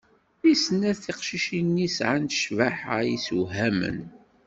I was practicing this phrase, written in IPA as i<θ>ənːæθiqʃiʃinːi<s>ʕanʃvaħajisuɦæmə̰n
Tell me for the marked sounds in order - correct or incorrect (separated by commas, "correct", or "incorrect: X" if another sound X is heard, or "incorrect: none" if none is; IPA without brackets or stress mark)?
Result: incorrect: s, correct